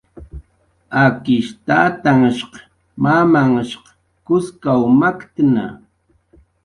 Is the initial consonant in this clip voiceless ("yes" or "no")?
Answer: yes